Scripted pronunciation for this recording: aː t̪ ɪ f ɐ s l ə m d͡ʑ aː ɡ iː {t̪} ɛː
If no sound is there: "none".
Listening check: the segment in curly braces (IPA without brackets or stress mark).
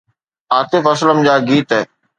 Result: t̪